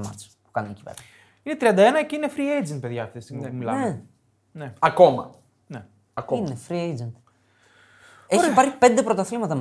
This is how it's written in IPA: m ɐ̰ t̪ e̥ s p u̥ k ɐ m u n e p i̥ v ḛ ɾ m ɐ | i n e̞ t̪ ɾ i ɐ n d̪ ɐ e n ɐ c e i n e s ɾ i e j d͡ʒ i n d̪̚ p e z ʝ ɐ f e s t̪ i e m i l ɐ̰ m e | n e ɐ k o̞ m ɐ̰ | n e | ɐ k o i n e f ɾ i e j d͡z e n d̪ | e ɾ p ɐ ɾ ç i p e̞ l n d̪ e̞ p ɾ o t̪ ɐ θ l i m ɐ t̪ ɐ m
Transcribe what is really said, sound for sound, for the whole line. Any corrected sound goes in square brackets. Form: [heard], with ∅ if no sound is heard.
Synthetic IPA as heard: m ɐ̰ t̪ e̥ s p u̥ k ɐ [n] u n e [c] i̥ v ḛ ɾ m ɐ | i n e̞ t̪ ɾ i ɐ n d̪ ɐ e n ɐ c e i n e [f] ɾ i e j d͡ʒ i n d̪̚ p e [ð] ʝ ɐ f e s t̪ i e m i l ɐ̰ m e | n e ɐ k o̞ m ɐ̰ | n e | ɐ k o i n e f ɾ i e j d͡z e n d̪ | e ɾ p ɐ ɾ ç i p e̞ [∅] n d̪ e̞ p ɾ o t̪ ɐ θ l i m ɐ t̪ ɐ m